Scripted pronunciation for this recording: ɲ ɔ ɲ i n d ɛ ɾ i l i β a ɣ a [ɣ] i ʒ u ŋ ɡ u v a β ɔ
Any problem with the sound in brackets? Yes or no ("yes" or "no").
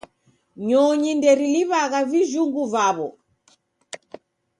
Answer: yes